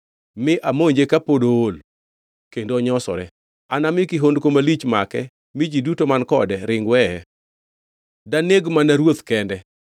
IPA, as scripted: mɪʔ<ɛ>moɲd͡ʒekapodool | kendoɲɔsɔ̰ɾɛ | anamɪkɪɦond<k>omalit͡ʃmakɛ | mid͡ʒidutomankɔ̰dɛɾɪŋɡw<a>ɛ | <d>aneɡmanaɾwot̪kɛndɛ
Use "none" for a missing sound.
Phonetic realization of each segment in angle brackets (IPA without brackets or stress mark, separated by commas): a, k, ɛ, d